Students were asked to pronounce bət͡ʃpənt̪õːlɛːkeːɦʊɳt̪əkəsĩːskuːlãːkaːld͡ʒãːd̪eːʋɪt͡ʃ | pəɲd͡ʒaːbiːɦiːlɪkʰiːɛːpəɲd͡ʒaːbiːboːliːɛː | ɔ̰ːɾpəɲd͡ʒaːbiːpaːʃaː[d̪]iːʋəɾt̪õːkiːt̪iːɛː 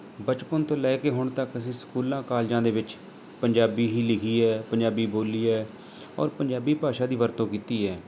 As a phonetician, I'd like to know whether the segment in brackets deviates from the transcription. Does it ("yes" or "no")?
no